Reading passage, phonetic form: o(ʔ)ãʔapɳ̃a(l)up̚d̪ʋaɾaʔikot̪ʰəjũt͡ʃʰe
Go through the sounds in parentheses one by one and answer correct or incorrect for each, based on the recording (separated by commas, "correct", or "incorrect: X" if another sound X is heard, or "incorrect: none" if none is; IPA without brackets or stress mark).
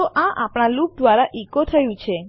correct, correct